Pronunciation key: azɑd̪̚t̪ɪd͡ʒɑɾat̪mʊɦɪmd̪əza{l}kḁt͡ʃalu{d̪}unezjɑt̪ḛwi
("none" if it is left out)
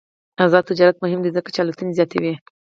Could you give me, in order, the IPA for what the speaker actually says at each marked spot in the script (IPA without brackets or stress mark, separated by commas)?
none, t̪